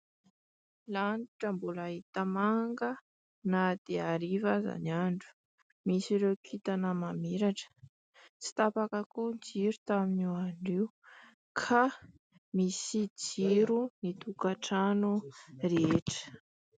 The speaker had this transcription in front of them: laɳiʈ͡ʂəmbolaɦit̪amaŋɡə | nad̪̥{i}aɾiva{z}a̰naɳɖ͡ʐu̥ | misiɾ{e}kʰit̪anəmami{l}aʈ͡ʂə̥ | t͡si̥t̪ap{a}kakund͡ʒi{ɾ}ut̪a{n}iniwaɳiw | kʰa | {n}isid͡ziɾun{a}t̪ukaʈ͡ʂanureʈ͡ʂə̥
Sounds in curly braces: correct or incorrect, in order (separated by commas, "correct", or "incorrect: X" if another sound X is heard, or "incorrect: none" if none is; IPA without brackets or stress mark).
incorrect: e, correct, correct, incorrect: ɾ, correct, correct, incorrect: m, incorrect: m, incorrect: i